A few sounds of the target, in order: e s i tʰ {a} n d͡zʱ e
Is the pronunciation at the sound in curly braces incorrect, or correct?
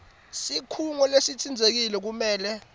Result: incorrect: i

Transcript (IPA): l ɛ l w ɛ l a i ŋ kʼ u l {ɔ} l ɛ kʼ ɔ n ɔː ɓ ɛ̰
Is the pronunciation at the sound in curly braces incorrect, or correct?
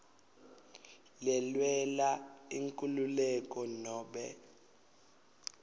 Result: incorrect: u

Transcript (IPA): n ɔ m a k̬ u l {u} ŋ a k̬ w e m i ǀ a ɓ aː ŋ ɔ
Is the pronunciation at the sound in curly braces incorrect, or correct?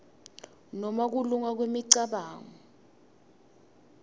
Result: correct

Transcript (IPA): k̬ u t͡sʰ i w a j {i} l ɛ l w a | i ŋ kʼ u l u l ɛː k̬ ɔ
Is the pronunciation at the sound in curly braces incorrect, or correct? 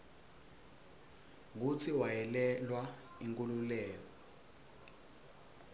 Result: incorrect: ɛ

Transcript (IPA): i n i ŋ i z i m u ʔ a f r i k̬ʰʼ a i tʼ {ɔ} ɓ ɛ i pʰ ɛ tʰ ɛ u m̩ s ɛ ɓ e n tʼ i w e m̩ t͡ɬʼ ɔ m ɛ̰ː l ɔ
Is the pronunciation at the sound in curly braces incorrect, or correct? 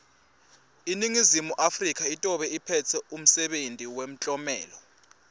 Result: correct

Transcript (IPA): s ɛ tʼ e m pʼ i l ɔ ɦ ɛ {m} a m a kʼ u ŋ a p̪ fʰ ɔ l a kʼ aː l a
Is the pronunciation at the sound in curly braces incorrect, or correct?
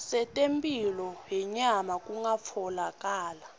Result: incorrect: ɲ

